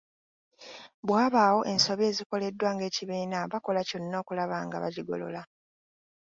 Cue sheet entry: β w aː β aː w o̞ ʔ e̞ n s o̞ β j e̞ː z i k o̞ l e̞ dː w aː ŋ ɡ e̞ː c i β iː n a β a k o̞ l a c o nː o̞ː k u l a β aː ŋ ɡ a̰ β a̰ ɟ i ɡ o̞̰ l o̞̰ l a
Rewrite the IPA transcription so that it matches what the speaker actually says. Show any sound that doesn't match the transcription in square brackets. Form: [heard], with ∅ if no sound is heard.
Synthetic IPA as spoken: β w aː β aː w o̞ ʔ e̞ n s o̞ β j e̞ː z i k o̞ l e̞ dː w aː ŋ ɡ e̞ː c i β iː n a β a k o̞ l a c o nː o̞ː k u l a β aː ŋ ɡ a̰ β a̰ ɟ i ɡ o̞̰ l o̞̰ l a